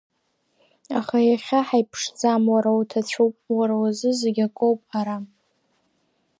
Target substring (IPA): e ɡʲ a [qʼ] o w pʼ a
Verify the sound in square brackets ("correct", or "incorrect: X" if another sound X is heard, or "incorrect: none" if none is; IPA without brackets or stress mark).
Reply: incorrect: kʼ